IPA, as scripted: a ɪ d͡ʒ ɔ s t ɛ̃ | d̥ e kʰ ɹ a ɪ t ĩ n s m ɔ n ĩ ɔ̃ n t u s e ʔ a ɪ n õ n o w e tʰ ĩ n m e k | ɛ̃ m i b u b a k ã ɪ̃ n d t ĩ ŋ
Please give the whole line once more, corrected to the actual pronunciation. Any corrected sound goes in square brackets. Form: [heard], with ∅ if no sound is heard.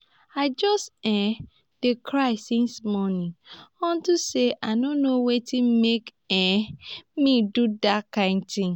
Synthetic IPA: a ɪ d͡ʒ ɔ s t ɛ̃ | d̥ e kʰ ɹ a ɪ [s] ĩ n s m ɔ n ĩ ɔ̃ n t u s e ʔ a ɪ n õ n o w e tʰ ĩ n m e k | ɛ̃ m i [d] u [d] a k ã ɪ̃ n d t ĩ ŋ